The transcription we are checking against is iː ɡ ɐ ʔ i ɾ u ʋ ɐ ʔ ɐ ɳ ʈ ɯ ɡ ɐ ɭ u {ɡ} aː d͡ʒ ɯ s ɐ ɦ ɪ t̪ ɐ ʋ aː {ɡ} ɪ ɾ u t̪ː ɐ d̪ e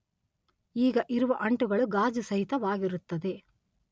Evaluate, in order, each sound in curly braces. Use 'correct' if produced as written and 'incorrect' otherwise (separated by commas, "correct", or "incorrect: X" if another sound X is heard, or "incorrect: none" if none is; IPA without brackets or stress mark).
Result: correct, correct